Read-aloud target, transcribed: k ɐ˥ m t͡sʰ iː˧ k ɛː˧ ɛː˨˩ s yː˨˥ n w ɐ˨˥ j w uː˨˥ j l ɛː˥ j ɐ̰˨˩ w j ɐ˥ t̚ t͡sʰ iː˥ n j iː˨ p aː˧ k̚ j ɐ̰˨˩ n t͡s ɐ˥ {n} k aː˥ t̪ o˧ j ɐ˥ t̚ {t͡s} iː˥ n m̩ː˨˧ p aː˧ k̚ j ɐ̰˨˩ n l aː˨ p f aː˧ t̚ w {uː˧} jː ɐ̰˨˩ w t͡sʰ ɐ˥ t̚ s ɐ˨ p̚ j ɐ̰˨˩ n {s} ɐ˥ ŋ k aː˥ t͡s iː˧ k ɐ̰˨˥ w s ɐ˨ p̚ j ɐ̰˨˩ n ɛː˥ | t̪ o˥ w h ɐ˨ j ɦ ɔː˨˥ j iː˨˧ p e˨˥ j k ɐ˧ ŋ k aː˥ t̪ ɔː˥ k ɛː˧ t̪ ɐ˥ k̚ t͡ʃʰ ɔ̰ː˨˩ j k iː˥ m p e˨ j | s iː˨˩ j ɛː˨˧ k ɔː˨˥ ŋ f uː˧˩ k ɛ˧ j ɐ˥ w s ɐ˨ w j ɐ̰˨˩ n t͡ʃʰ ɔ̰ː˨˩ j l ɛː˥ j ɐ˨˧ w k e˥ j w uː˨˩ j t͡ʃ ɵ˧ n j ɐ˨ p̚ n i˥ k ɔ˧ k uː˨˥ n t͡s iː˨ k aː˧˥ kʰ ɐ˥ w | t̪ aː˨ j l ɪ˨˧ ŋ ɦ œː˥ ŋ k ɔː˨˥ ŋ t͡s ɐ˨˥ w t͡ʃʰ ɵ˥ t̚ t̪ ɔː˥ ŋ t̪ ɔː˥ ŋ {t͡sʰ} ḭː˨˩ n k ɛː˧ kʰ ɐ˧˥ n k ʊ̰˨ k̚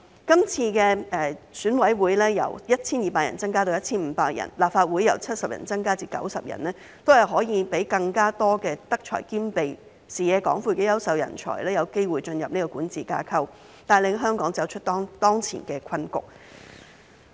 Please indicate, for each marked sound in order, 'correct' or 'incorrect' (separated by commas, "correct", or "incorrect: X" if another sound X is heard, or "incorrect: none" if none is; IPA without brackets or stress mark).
incorrect: ŋ, incorrect: t͡sʰ, incorrect: uː˨˥, incorrect: t͡s, correct